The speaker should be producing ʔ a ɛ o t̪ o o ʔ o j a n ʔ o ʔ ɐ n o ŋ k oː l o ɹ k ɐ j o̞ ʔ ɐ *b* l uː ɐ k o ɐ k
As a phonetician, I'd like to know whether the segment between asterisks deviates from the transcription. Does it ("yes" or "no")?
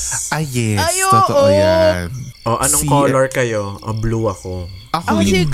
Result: no